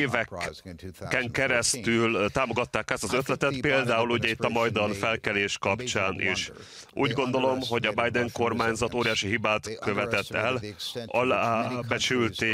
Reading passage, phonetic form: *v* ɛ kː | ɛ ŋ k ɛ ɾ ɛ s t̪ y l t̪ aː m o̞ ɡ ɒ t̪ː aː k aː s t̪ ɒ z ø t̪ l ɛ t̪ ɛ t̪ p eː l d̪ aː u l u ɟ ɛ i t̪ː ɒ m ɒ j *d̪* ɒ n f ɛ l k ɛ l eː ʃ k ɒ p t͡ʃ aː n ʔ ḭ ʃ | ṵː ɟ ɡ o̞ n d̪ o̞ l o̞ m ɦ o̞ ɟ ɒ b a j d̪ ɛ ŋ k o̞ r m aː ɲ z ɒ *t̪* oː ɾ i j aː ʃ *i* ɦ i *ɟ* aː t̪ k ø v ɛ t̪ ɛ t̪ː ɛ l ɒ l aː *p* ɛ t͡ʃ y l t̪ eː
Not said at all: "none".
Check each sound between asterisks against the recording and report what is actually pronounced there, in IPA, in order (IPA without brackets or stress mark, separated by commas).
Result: v, d̪, t̪, i, b, b